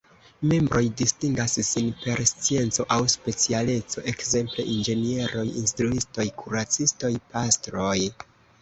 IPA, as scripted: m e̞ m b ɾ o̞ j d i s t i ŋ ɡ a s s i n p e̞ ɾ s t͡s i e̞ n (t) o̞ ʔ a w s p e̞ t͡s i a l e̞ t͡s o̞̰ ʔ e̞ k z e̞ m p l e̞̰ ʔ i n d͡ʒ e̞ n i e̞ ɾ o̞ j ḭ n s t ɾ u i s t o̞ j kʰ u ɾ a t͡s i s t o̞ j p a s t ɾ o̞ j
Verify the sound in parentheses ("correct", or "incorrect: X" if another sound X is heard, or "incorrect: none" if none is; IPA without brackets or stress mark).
incorrect: t͡s